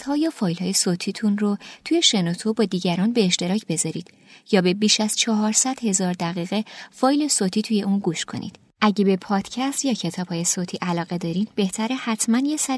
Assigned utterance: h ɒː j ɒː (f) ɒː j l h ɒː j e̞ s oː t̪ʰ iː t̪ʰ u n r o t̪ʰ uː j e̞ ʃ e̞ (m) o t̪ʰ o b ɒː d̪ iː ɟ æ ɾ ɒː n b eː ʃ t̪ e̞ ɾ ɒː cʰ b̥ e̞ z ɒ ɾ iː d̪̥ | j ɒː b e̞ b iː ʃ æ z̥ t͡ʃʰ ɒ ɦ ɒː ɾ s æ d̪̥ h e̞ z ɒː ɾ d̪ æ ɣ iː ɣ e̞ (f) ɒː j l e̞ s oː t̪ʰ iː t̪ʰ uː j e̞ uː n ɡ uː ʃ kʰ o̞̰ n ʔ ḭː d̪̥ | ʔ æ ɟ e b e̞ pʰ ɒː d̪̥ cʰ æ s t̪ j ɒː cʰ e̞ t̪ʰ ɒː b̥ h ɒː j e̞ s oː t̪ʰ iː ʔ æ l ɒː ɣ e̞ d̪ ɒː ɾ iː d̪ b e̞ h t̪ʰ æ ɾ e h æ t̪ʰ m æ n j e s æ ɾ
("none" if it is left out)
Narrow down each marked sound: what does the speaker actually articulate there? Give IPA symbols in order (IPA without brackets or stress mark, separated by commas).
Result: f, n, f